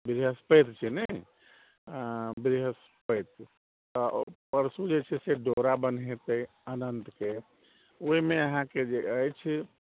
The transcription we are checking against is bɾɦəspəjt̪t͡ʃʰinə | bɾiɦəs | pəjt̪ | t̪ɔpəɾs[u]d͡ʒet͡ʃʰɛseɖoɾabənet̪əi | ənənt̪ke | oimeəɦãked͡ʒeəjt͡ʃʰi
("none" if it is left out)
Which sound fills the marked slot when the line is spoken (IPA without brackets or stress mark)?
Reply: u